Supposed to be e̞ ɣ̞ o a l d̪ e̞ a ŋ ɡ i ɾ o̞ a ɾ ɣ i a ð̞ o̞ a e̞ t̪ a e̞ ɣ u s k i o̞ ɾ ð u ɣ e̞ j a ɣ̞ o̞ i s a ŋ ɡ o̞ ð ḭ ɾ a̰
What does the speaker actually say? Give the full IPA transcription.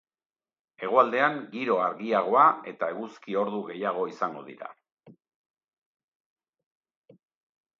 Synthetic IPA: e̞ ɣ̞ o a l d̪ e̞ a ŋ ɡ i ɾ o̞ a ɾ ɣ i a ɣ̞ o̞ a e̞ t̪ a e̞ ɣ u s k i o̞ ɾ ð u ɣ e̞ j a ɣ̞ o̞ i s a ŋ ɡ o̞ ð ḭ ɾ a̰